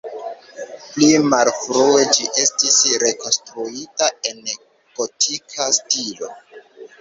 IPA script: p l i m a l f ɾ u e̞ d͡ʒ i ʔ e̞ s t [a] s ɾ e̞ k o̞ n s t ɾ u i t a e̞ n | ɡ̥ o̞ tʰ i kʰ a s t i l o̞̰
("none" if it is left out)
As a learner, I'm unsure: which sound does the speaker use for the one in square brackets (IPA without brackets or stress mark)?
i